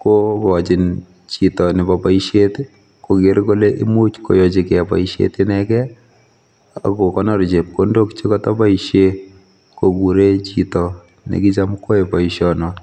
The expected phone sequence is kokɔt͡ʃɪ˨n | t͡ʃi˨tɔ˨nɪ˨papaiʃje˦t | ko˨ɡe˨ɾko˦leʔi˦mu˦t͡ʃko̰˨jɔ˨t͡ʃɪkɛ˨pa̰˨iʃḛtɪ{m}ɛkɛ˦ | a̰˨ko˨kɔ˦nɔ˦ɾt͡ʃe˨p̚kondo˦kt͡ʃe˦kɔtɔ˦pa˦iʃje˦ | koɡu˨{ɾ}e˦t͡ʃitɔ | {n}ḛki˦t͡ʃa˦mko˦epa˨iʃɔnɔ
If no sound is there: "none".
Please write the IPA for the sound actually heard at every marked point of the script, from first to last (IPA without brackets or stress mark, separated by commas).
n, ɾ, n